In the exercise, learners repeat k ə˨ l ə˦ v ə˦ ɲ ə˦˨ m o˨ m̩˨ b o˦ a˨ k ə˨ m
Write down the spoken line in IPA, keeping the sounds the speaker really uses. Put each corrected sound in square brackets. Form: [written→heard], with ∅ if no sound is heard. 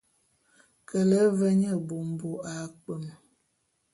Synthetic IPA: k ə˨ l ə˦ v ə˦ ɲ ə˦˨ [m→b] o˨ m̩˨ b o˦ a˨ [k→k͡p] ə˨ m